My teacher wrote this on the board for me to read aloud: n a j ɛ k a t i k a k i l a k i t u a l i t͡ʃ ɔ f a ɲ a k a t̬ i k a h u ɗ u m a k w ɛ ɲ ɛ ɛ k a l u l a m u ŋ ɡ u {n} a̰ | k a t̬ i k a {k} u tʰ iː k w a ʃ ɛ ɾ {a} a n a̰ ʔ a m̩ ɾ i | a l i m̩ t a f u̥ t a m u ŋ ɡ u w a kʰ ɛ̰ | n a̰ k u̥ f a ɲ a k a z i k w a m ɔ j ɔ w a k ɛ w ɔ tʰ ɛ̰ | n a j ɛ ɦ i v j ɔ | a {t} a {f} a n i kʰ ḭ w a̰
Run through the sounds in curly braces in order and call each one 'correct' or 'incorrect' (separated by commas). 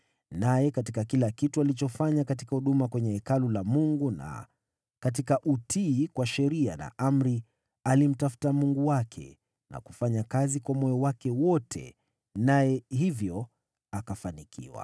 correct, incorrect, incorrect, incorrect, correct